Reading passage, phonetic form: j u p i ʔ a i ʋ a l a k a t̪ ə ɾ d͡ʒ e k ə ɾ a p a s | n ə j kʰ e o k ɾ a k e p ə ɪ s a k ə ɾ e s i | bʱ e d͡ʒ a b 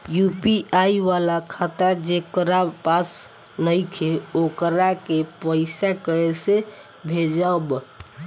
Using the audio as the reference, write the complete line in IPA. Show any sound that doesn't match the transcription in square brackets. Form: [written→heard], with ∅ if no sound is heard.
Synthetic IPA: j u p i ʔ a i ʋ a l a [k→kʰ] a t̪ ə ɾ d͡ʒ e k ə ɾ a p a s | n ə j kʰ e o k ɾ a k e p ə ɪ s a k ə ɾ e s [i→e] | bʱ e d͡ʒ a b